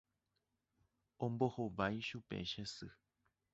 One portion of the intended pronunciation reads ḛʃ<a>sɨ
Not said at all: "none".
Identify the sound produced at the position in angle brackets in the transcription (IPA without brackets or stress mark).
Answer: e